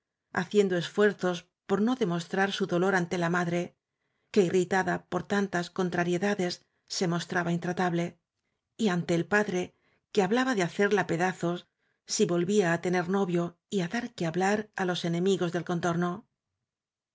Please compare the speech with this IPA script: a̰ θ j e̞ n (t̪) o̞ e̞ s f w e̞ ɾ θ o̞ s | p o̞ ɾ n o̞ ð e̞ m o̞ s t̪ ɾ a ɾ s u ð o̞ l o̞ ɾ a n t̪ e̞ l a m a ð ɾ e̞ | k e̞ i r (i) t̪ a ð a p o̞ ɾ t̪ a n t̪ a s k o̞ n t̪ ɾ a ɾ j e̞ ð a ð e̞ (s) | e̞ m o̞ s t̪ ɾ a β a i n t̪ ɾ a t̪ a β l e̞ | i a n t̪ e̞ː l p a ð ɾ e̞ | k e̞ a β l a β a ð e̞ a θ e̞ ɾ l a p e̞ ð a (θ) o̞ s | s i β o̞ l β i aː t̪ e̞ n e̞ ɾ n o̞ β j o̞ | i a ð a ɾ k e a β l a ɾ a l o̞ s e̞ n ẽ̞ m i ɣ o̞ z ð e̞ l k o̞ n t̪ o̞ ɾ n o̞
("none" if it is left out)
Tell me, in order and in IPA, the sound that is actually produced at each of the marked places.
d̪, i, sː, θ

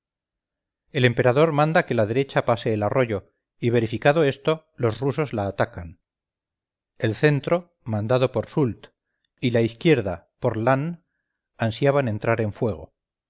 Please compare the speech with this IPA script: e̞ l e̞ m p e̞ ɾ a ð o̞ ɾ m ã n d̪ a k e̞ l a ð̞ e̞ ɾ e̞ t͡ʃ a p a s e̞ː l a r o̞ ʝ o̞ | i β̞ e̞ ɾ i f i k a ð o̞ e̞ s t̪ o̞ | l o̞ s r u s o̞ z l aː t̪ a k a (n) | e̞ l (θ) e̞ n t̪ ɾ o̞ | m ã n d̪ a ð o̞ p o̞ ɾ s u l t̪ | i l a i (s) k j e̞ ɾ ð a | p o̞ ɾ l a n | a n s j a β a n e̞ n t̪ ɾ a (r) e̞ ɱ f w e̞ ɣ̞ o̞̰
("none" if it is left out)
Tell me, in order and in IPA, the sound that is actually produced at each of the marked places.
n, θ, θ, ɾ

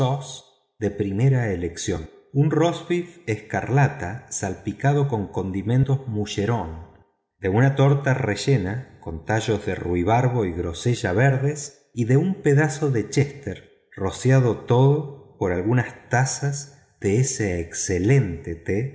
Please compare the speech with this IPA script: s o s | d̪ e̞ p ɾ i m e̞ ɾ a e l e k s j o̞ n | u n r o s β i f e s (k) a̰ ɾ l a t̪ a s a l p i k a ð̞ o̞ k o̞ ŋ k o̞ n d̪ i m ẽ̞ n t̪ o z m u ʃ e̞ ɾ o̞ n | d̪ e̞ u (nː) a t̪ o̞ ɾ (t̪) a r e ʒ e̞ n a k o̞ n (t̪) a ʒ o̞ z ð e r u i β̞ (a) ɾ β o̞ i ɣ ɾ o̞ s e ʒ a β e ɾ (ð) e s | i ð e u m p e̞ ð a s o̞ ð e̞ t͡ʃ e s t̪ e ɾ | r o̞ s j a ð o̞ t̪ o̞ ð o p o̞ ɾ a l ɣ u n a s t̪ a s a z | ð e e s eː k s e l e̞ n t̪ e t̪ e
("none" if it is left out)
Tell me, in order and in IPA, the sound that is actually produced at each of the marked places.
k, n, t̪, t̪, a, ð

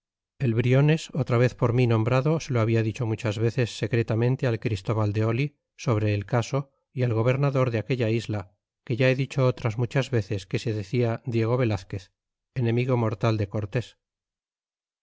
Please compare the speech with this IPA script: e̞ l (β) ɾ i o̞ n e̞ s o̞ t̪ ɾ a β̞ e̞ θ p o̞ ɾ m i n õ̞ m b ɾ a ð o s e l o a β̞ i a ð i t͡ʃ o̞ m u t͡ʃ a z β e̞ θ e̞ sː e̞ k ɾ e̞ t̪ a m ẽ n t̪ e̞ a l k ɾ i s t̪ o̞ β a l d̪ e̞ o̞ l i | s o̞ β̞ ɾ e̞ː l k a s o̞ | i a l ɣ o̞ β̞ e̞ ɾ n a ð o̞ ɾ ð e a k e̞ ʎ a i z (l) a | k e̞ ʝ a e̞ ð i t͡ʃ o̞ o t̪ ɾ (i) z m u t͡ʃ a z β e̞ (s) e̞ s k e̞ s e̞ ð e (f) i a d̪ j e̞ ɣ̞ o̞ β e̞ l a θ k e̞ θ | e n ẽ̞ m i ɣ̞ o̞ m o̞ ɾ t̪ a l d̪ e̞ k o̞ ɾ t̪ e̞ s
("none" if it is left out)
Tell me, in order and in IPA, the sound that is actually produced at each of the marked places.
β, l, a, θ, θ

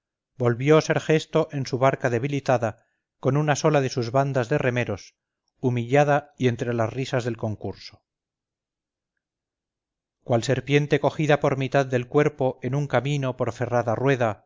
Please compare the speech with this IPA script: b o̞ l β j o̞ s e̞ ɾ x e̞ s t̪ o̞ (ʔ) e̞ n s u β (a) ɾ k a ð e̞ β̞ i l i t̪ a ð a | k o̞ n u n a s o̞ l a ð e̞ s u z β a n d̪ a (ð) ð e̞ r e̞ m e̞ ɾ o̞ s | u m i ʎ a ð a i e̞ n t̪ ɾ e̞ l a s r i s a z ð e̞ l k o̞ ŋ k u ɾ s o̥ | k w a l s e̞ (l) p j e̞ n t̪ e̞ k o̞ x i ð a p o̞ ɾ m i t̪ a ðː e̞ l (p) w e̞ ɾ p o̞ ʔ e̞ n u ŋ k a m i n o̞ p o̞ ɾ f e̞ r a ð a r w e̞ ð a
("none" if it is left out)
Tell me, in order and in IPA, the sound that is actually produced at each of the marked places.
ʔ, a, z, ɾ, k

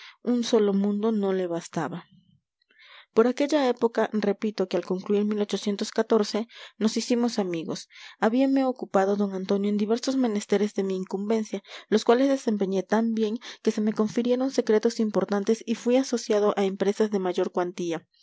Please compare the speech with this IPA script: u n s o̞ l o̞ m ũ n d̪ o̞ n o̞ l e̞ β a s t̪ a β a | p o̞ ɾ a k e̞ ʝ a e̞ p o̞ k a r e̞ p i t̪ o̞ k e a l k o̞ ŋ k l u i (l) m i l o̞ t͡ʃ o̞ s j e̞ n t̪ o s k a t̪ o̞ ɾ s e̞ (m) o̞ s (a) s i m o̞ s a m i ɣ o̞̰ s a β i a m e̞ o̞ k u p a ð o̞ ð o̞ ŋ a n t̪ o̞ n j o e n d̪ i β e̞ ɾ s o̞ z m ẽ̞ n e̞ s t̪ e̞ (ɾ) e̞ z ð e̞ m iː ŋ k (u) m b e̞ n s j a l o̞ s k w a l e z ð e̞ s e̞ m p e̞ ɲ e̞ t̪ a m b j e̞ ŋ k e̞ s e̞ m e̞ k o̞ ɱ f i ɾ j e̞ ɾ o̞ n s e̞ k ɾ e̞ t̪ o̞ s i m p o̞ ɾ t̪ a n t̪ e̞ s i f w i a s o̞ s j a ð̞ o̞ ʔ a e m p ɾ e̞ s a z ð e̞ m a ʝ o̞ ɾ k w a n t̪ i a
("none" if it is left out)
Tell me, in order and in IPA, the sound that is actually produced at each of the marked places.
ɾ, n, i, ɾ, u

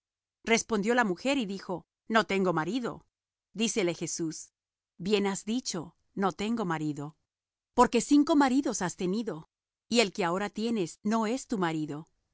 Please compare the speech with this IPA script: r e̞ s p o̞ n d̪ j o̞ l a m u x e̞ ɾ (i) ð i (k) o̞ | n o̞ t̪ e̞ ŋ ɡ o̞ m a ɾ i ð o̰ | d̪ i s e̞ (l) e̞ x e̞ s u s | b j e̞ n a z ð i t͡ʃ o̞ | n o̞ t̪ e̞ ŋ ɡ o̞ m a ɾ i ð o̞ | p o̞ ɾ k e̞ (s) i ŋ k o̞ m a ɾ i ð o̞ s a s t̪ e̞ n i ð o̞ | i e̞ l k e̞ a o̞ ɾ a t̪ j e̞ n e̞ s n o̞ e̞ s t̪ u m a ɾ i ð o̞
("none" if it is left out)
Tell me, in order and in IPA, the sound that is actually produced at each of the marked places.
i, x, l, s

